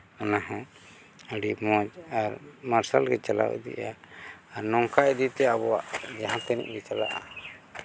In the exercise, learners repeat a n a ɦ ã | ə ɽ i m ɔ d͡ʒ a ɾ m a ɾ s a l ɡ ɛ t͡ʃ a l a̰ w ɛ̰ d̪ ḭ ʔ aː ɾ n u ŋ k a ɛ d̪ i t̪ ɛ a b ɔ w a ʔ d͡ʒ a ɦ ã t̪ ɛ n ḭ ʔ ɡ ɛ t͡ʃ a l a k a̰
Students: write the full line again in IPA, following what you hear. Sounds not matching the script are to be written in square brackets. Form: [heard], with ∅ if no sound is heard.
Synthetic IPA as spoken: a n a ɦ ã | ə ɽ i m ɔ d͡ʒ a ɾ m a ɾ s a l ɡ ɛ t͡ʃ a l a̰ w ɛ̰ d̪ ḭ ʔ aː ɾ n [ɔ] ŋ k a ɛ d̪ i t̪ ɛ a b ɔ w a ʔ d͡ʒ a ɦ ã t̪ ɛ n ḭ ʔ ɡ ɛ t͡ʃ a l a [ʔ] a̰